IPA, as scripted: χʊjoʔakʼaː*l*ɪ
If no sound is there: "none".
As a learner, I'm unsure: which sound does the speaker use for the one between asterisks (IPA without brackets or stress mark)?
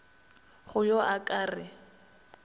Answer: r